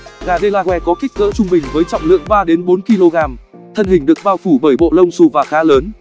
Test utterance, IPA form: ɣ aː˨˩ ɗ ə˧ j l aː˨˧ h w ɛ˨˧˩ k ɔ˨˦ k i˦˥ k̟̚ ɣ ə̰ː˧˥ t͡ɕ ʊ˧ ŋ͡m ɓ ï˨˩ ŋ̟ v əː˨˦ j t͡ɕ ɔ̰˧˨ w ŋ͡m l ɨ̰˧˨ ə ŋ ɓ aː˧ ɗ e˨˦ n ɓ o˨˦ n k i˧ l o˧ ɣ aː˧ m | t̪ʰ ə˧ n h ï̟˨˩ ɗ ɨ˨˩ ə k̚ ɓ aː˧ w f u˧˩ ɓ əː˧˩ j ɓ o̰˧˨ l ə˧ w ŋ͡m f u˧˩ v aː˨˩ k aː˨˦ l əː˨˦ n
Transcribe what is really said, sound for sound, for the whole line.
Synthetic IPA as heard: ɣ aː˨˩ ɗ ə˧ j l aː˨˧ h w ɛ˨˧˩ k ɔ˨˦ k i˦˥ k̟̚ ɣ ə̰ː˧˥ t͡ɕ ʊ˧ ŋ͡m ɓ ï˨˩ ŋ̟ v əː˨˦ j t͡ɕ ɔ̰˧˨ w ŋ͡m l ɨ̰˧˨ ə ŋ ɓ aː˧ ɗ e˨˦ n ɓ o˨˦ n k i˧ l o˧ ɣ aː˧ m | t̪ʰ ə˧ n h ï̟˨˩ ɗ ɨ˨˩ ə k̚ ɓ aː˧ w f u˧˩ ɓ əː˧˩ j ɓ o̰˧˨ l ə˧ w ŋ͡m s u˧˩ v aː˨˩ x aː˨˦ l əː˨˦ n